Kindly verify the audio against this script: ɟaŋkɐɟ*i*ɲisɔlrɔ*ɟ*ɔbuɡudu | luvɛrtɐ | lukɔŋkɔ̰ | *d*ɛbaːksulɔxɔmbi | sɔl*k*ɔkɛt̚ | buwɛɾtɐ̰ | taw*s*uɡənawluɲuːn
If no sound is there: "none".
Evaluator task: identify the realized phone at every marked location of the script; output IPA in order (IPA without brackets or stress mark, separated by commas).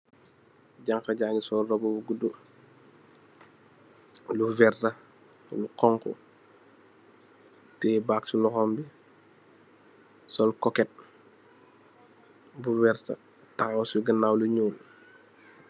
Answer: a, b, t, k, s